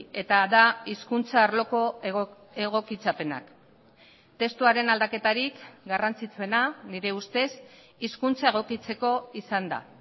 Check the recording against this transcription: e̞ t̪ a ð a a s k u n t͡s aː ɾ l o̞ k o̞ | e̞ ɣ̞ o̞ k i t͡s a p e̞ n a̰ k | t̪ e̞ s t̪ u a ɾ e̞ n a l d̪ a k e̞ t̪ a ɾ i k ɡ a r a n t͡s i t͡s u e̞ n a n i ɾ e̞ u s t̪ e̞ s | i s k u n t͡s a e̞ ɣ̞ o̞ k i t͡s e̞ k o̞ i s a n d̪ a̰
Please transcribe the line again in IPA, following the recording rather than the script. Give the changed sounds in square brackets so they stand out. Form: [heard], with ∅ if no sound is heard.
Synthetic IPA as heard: e̞ t̪ a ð a [i] s k u n t͡s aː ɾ l o̞ k o̞ | e̞ ɣ̞ o̞ k i t͡s a p e̞ n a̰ k | t̪ e̞ s t̪ u a ɾ e̞ n a l d̪ a k e̞ t̪ a ɾ i k ɡ a r a n t͡s i t͡s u e̞ n a n i ɾ e̞ u s t̪ e̞ s | i s k u n t͡s a e̞ ɣ̞ o̞ k i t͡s e̞ k o̞ i s a n d̪ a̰